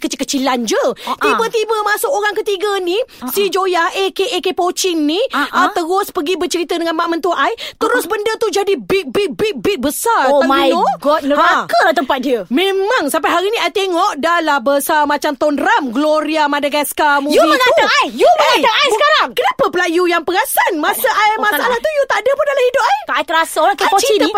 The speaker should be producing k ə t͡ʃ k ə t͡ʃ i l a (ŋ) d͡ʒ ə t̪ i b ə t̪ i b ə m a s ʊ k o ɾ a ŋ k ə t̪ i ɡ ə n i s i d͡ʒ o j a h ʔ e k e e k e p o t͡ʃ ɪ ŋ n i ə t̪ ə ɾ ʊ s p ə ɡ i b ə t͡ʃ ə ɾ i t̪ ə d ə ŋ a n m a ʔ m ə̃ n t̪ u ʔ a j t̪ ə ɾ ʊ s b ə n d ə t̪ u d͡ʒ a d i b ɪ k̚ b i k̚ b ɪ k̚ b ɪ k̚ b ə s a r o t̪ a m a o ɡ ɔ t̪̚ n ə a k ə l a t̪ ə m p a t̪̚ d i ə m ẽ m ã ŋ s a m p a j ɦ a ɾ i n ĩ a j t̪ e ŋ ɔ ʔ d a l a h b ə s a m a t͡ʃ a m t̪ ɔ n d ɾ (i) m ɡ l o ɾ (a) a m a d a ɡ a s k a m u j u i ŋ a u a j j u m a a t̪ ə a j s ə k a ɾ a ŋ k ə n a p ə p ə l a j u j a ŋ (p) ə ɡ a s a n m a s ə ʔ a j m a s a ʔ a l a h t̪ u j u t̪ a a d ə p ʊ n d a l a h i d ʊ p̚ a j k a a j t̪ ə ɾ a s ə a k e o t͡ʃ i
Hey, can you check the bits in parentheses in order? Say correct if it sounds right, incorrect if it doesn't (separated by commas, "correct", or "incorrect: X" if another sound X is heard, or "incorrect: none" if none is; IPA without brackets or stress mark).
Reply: incorrect: n, incorrect: a, incorrect: i, correct